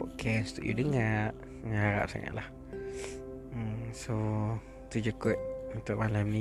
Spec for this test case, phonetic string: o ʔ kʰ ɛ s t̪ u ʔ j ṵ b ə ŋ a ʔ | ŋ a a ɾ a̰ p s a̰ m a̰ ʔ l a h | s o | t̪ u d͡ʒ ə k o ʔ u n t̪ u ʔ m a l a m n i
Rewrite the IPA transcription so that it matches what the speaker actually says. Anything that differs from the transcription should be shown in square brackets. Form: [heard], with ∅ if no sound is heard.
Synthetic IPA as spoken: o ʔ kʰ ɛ s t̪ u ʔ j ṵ [d] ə ŋ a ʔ | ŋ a a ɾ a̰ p s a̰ [ŋ] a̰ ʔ l a h | s o | t̪ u d͡ʒ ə k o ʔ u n t̪ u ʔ m a l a m n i